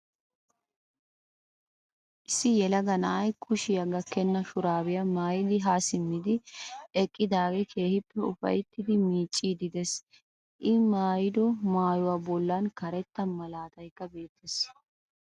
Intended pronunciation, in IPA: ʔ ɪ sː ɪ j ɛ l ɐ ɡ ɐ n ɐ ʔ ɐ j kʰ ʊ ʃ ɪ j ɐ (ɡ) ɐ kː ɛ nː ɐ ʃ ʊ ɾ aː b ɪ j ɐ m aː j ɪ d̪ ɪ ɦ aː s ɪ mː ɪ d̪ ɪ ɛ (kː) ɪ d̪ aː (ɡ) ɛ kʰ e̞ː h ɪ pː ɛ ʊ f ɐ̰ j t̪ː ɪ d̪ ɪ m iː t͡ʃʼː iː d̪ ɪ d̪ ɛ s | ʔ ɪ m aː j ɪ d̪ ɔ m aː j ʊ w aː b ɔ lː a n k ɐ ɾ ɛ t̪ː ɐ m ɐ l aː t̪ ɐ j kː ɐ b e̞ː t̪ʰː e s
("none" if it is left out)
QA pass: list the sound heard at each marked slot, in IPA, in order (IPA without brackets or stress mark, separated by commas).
ɡ, kʼː, ɡ